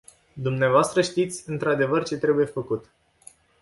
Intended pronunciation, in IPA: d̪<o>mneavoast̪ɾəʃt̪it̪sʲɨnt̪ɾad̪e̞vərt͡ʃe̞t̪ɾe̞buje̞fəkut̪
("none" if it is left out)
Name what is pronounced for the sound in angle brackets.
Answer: u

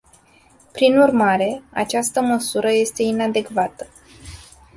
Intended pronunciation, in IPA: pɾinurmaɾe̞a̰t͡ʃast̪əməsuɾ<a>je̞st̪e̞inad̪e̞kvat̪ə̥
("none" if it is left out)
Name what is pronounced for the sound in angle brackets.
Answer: ə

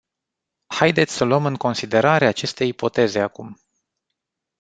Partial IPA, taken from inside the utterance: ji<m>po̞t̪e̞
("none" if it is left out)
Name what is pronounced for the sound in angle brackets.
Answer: none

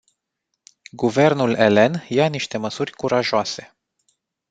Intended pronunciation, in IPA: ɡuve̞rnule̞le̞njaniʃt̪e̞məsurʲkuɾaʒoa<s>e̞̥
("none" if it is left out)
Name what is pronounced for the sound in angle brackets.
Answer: s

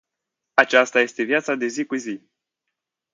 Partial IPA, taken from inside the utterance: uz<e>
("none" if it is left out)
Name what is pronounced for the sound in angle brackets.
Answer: i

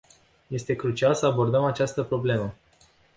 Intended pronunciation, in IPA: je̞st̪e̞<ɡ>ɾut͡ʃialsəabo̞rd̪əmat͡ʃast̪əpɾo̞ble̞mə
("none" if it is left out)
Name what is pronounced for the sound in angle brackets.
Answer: k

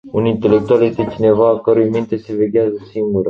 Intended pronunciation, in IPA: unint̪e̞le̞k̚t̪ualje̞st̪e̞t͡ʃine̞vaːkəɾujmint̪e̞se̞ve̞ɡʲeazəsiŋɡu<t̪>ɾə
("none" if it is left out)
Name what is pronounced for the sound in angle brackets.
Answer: none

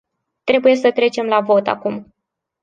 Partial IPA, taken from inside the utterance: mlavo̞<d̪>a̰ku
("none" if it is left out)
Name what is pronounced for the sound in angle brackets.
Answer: t̪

